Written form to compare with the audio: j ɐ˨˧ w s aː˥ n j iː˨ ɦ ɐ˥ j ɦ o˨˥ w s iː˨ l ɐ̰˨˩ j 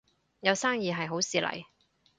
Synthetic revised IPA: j ɐ˨˧ w s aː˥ ŋ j iː˨ ɦ ɐ˨ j ɦ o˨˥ w s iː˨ l ɐ̰˨˩ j